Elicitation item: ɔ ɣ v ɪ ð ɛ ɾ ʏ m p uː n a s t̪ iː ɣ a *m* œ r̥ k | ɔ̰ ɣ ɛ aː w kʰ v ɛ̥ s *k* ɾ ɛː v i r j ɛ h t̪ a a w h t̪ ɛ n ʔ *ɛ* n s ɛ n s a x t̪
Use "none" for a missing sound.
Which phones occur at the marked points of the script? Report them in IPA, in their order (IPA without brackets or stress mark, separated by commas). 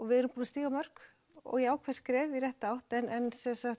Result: m, k, ɛ